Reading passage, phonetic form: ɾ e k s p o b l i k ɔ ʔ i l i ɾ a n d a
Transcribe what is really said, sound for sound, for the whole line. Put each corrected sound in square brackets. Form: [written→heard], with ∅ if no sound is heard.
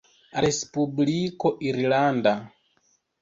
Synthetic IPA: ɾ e [k→∅] s p [o→u] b l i k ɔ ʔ i [l→ɾ] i [ɾ→l] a n d a

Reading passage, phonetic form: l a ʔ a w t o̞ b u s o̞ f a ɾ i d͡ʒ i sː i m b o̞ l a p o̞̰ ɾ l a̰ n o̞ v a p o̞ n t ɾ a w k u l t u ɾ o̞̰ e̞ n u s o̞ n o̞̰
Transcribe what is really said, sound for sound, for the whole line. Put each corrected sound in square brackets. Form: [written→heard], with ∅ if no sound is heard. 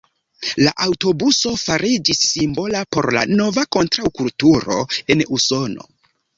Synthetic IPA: l a ʔ a w t o̞ b u s o̞ f a ɾ i d͡ʒ i sː i m b o̞ l a p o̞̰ ɾ l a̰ n o̞ v a [p→k] o̞ n t ɾ a w k u l t u ɾ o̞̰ e̞ n u s o̞ n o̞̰

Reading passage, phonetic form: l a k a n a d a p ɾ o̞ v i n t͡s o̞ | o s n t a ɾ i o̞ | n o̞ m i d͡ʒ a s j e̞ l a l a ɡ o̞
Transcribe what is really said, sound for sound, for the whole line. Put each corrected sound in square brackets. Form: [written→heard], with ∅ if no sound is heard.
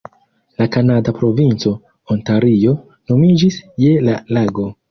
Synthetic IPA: l a k a n a d a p ɾ o̞ v i n t͡s o̞ | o [s→∅] n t a ɾ i o̞ | n o̞ m i d͡ʒ [a→i] s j e̞ l a l a ɡ o̞

